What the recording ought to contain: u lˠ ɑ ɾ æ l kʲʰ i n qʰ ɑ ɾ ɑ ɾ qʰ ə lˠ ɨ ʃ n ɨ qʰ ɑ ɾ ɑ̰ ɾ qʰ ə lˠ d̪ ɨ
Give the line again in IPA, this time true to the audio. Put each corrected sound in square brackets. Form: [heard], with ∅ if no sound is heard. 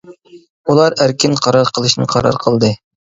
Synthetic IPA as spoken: u lˠ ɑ ɾ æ [ɾ] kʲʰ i n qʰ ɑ ɾ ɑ ɾ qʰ ə lˠ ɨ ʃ n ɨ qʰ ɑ ɾ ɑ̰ ɾ qʰ ə lˠ d̪ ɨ